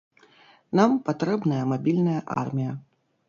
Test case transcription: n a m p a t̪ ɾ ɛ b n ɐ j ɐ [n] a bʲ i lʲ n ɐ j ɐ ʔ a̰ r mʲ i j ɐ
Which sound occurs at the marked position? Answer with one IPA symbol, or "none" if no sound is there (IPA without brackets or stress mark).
m